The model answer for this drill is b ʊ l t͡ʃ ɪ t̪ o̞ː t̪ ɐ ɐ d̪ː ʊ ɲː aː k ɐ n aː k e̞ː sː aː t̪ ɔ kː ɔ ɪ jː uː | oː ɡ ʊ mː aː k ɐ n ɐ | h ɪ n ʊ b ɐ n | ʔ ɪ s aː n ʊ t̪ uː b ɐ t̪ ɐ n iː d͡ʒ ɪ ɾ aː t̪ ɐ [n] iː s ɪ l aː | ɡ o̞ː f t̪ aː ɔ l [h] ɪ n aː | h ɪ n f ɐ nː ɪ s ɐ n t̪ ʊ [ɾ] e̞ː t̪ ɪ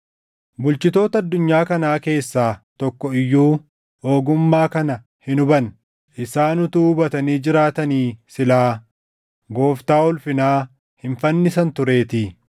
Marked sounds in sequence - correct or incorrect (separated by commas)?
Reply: correct, incorrect, correct